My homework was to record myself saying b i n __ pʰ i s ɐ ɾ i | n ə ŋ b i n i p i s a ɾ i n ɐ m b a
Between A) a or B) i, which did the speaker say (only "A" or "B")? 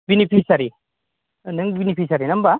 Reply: B